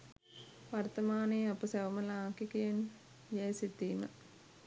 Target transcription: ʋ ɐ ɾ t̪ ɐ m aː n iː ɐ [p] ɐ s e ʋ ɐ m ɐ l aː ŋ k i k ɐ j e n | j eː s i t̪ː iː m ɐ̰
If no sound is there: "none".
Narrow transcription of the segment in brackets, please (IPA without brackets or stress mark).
p